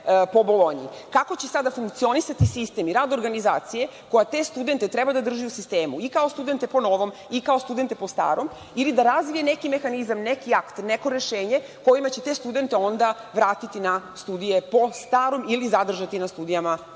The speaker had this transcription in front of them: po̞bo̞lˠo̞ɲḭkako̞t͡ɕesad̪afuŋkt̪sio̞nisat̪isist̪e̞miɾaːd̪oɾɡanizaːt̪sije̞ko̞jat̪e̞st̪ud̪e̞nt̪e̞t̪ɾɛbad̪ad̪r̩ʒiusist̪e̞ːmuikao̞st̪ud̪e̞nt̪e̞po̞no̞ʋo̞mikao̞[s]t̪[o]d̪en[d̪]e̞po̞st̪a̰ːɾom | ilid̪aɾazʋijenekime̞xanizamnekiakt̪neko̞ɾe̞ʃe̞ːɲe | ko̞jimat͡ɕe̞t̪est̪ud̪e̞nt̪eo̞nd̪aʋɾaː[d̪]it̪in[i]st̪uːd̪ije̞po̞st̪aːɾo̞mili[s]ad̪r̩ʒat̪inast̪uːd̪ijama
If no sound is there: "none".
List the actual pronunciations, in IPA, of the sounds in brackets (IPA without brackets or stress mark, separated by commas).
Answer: s, u, t̪, t̪, a, z